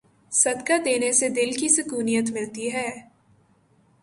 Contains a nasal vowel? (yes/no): no